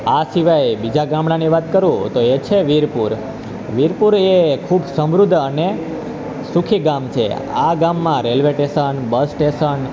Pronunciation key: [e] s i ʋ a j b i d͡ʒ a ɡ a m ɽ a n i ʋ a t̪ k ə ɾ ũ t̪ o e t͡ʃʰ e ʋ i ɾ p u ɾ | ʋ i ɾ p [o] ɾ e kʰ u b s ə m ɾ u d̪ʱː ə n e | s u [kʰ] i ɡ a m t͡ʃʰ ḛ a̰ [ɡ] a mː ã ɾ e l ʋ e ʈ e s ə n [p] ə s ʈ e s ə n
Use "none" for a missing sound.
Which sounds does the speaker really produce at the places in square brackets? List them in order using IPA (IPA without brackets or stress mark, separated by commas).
a, u, kʰ, ɡ, b